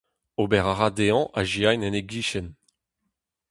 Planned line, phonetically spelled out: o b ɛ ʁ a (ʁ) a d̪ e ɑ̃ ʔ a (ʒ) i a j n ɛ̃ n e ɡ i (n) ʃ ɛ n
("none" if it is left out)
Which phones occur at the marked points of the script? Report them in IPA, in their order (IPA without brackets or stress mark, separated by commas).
ʁ, ʒ, none